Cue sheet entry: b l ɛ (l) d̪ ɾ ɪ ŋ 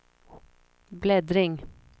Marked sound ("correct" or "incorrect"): incorrect